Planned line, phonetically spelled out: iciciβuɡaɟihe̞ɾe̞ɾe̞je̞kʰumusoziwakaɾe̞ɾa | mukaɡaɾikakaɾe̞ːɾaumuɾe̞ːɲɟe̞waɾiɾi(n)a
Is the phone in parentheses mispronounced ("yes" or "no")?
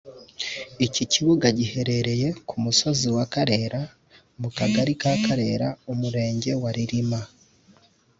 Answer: yes